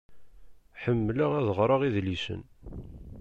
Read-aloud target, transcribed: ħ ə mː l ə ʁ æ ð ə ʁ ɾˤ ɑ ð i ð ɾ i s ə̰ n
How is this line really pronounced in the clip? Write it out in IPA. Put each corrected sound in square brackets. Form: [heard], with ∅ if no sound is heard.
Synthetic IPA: ħ ə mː l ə ʁ æ ð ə ʁ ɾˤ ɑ [ʁ] i ð [l] i s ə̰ n